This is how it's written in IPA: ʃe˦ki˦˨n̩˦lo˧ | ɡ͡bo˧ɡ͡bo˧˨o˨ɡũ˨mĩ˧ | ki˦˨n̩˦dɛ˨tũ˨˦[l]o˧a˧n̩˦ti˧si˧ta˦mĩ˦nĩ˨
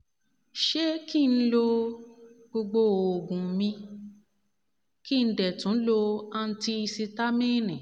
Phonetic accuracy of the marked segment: correct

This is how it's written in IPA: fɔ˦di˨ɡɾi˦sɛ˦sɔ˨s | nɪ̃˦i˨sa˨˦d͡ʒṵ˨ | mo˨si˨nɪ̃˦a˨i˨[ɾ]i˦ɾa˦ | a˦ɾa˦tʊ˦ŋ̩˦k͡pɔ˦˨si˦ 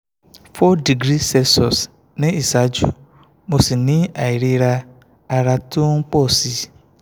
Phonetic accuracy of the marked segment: correct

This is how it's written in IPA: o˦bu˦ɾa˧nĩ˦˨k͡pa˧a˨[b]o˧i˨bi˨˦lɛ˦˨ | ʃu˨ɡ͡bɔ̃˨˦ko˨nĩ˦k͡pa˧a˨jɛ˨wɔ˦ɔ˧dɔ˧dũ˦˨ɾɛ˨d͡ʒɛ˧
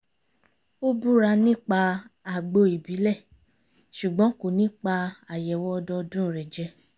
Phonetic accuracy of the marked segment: incorrect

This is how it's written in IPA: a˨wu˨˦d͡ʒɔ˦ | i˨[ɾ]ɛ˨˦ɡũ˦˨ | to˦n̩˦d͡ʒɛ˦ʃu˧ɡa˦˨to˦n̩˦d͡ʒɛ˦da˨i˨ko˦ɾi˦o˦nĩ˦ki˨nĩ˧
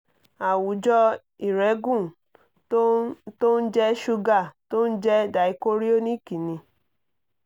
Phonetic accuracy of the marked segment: correct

